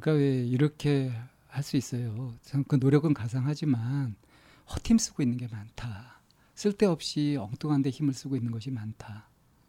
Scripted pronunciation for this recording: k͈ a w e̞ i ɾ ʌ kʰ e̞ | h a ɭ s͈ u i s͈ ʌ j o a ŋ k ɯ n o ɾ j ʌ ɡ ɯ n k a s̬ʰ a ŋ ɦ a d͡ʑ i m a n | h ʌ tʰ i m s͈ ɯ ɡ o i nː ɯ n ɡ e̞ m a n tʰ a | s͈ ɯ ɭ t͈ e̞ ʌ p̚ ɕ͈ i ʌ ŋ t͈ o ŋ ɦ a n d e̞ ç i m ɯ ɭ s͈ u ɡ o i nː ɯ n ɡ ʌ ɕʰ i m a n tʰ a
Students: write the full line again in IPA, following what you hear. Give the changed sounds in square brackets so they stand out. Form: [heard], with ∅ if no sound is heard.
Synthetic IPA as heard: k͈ a w e̞ i ɾ ʌ kʰ e̞ | h a ɭ s͈ u i s͈ ʌ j o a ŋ k ɯ n o ɾ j ʌ ɡ ɯ n k a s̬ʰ a ŋ ɦ a d͡ʑ i m a n | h ʌ tʰ i m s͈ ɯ ɡ o i nː ɯ n ɡ e̞ m a n tʰ a | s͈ ɯ ɭ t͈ e̞ ʌ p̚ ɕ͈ i ʌ ŋ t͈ o ŋ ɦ a n d e̞ ç i m ɯ ɭ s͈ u ɡ o i nː ɯ n ɡ ʌ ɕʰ i m a n tʰ a